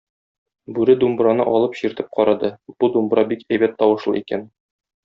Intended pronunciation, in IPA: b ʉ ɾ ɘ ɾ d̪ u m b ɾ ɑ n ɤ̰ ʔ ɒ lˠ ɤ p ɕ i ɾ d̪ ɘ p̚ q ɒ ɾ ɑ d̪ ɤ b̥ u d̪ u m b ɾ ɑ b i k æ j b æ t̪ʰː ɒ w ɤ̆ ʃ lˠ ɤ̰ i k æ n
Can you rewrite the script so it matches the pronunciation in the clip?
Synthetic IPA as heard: b ʉ ɾ ɘ d̪ u m b ɾ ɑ n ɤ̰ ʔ ɒ lˠ ɤ p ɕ i ɾ t̪ ɘ p̚ q ɒ ɾ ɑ d̪ ɤ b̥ u d̪ u m b ɾ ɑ b i k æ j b æ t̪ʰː ɒ w ɤ̆ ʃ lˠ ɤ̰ i k æ n